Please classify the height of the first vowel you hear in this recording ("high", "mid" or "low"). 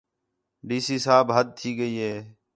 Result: high